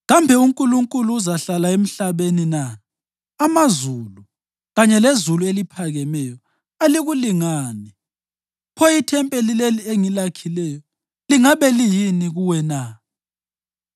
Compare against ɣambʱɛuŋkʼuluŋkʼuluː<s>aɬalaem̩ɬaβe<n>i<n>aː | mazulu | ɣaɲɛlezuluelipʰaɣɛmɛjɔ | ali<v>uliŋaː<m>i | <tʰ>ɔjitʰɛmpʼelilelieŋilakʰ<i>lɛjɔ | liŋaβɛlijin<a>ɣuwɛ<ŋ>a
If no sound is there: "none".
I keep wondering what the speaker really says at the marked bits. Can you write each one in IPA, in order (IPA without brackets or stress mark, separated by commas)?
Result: z, n, n, ɣ, n, pʰ, i, i, n